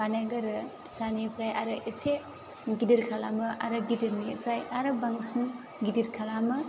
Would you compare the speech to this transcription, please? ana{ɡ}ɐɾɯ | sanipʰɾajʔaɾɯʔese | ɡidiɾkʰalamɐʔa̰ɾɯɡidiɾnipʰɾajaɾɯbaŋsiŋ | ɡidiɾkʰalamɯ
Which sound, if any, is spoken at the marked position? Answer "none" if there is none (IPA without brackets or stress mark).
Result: ɡ